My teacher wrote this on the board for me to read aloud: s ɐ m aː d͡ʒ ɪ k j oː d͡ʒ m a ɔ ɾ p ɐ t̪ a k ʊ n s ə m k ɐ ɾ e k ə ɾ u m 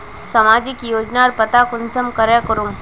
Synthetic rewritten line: s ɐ m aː d͡ʒ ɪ k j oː d͡ʒ n a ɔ ɾ p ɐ t̪ a k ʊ n s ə m k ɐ ɾ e k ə ɾ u m

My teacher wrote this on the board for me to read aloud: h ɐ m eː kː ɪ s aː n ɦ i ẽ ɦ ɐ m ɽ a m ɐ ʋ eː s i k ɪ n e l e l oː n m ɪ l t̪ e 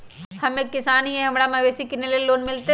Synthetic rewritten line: h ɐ m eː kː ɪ s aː n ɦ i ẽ ɦ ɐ m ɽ a m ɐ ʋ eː s i k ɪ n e l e l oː n m ɪ l t̪ e

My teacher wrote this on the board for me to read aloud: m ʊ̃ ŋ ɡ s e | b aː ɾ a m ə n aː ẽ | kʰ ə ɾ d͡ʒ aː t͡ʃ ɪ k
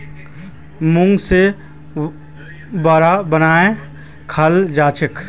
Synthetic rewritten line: m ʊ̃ ŋ ɡ s e | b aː ɾ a b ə n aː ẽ | kʰ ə l d͡ʒ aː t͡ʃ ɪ k

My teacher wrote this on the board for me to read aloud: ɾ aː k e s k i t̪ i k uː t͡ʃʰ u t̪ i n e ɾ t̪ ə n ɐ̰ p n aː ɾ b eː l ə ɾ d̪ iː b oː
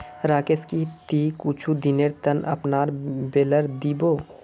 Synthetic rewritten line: ɾ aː k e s k i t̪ i k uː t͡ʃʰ u d̪ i n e ɾ t̪ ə n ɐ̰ p n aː ɾ b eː l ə ɾ d̪ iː b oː

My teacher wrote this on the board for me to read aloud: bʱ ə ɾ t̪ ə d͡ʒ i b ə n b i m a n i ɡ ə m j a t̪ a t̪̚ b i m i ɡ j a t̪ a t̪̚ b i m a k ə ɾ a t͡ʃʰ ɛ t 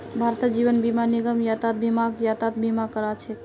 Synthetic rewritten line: bʱ a ɾ t̪ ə d͡ʒ i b ə n b i m a n i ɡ ə m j a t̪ a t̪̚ b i m a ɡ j a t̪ a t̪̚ b i m a k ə ɾ a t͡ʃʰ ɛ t

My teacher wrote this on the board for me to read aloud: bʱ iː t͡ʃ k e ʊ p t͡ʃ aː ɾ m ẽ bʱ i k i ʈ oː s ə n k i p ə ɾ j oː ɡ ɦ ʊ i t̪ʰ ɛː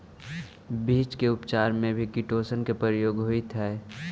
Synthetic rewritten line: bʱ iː t͡ʃ k e ʊ p t͡ʃ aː ɾ m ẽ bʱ i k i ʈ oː s ə n k e p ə ɾ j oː ɡ ɦ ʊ i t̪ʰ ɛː

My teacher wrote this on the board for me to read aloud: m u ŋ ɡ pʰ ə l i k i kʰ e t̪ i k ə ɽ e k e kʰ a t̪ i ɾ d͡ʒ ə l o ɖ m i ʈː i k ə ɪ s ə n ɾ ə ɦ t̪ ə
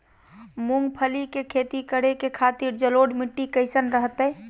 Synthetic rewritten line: m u ŋ ɡ pʰ ə l i k e kʰ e t̪ i k ə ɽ e k e kʰ a t̪ i ɾ d͡ʒ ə l o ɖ m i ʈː i k ə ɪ s ə n ɾ ə ɦ t̪ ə

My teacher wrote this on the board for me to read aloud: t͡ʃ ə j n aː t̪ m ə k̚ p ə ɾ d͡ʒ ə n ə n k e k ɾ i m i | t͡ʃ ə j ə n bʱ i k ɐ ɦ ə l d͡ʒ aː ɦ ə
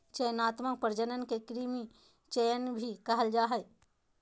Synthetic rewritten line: t͡ʃ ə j n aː t̪ m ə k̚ p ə ɾ d͡ʒ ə n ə n k e k ɾ i m i | t͡ʃ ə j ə n bʱ i k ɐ ɦ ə l d͡ʒ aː ɦ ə

